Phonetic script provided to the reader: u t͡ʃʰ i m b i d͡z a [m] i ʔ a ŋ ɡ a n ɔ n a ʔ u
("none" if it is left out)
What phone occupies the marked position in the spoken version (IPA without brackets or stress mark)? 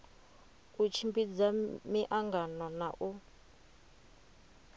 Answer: m